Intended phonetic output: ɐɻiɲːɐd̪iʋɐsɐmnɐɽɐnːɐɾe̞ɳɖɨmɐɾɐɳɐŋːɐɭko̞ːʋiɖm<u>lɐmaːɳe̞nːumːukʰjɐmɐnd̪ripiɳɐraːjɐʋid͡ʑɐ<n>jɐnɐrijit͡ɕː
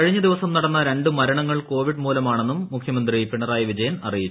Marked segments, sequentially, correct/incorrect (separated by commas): incorrect, incorrect